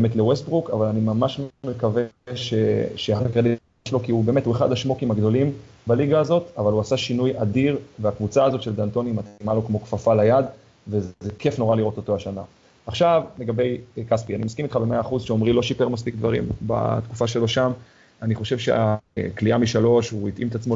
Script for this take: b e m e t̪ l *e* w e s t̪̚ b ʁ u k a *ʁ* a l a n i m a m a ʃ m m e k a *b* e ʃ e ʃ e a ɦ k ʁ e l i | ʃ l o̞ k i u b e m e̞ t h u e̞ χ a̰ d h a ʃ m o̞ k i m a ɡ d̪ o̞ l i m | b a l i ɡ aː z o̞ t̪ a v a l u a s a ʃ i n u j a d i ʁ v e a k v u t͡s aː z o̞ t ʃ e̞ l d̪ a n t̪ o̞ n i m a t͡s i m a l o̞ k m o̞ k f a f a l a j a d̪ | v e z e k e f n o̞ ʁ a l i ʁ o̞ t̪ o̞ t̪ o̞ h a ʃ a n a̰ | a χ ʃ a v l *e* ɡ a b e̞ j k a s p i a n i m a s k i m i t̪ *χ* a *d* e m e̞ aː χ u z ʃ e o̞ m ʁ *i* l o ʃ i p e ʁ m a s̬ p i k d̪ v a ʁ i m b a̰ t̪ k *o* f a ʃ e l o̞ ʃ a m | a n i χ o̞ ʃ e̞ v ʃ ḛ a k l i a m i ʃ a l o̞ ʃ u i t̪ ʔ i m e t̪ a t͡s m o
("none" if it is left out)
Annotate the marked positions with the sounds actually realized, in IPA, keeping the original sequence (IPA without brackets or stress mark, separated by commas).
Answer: e, v, v, e, χ, b, i, u